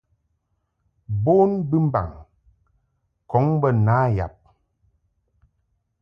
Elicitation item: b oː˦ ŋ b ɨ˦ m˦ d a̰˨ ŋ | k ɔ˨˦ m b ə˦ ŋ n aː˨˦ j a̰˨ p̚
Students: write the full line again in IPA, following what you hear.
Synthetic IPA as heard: b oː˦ n b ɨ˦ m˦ b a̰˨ ŋ | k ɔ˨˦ ŋ b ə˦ n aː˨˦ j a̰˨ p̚